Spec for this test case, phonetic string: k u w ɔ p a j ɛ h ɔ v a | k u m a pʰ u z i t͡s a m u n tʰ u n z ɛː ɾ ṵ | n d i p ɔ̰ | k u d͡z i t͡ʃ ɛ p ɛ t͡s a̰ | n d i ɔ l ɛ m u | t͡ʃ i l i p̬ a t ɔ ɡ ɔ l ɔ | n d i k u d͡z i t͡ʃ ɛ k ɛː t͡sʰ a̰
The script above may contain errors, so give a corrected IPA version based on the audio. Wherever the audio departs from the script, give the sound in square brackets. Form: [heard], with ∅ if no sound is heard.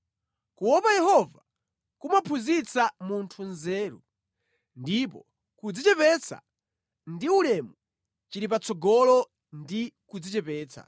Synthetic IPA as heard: k u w ɔ p a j ɛ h ɔ v a | k u m a pʰ u z i t͡s a m u n tʰ u n z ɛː ɾ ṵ | n d i p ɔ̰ | k u d͡z i t͡ʃ ɛ p ɛ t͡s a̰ | n d i [u] l ɛ m u | t͡ʃ i [ɾ] i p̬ a [t͡s] ɔ ɡ ɔ l ɔ | n d i k u d͡z i t͡ʃ ɛ [p] ɛː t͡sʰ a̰